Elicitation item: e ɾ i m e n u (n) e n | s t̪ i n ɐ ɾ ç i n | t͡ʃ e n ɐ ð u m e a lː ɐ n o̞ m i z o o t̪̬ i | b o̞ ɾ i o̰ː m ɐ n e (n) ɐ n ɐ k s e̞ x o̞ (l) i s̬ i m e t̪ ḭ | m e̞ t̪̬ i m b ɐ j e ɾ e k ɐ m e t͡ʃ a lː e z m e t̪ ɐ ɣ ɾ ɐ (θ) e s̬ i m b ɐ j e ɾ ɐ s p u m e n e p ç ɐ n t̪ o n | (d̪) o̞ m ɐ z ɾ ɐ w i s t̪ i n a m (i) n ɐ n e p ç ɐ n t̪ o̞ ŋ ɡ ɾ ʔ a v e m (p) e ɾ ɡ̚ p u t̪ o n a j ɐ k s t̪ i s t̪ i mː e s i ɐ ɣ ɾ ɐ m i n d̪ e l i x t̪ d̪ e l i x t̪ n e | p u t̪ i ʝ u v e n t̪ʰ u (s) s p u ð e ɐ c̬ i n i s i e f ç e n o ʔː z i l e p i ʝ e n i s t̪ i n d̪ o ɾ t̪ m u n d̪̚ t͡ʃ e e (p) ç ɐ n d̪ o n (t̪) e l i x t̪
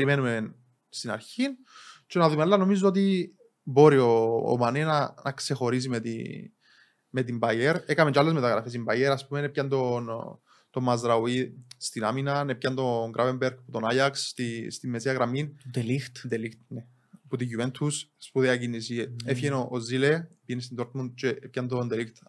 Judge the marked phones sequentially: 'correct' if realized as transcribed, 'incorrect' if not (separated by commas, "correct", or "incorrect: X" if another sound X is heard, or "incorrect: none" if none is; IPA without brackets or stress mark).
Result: incorrect: m, correct, incorrect: ɾ, incorrect: f, incorrect: t̪, correct, incorrect: b, correct, correct, incorrect: d̪